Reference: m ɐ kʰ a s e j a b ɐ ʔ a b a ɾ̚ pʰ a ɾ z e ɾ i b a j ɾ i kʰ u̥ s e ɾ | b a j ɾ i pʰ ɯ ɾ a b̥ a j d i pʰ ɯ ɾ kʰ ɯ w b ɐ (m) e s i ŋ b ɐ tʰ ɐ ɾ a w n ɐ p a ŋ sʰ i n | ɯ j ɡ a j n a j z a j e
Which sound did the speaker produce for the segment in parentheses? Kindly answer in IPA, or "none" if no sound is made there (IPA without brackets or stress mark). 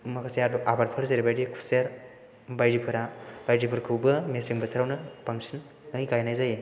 m